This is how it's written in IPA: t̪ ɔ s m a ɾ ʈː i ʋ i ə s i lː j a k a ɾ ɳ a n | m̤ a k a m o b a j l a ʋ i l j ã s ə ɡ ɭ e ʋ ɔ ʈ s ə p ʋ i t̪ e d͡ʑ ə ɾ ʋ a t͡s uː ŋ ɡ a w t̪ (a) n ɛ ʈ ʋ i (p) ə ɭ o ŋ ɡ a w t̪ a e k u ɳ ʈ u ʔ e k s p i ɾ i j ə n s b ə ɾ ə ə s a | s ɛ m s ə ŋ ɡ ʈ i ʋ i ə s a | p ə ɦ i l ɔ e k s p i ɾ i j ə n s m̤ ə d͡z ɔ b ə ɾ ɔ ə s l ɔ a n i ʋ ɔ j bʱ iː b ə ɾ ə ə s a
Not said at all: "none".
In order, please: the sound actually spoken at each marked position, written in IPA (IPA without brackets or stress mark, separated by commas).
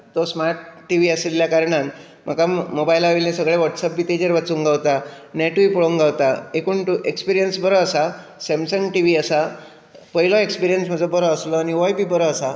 a, p